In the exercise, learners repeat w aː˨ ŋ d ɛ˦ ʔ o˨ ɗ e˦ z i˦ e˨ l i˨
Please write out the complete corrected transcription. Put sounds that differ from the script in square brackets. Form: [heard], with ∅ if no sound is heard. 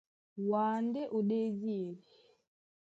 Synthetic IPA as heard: w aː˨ [n] d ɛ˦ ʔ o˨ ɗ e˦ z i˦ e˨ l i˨